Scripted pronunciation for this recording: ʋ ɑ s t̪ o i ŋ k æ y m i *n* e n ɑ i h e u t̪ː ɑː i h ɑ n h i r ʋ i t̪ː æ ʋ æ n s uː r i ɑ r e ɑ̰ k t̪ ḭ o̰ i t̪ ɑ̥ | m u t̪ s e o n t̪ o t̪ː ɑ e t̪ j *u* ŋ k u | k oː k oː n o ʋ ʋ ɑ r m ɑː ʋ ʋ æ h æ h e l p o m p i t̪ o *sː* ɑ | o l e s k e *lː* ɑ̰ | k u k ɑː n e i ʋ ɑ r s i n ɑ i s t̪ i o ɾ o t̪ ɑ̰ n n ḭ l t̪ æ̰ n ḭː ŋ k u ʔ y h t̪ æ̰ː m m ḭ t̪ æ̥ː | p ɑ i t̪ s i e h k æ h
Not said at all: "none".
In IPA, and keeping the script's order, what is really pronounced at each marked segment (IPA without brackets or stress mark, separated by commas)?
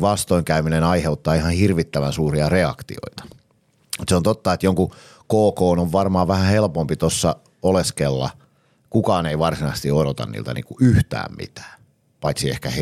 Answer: n, o, sː, lː